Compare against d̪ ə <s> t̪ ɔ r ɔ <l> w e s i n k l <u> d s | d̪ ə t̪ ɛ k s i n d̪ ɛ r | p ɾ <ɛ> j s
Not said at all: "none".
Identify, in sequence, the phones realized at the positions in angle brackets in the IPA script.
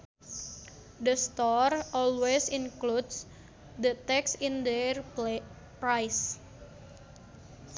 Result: s, l, u, a

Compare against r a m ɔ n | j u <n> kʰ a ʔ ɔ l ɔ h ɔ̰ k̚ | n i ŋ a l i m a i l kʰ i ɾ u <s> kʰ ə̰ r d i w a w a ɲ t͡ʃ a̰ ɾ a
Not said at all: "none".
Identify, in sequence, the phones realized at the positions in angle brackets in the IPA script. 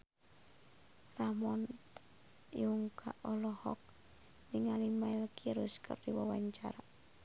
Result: ŋ, s

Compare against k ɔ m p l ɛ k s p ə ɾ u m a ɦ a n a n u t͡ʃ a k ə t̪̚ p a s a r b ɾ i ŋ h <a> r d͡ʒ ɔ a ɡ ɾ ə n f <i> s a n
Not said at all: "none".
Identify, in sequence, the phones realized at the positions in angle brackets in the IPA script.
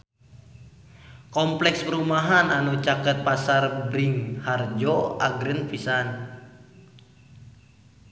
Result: a, i

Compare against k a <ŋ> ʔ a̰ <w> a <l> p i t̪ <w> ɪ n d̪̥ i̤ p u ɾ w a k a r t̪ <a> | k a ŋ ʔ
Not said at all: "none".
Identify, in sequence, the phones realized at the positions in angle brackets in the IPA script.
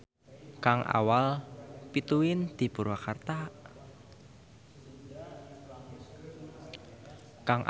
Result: ŋ, w, l, u, a

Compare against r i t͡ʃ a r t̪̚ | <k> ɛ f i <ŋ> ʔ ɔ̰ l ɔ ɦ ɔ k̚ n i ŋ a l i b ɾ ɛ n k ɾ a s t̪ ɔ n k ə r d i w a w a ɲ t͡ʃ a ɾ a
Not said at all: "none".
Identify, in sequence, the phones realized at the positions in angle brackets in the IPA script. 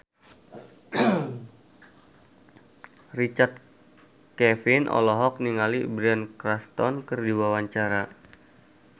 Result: k, n

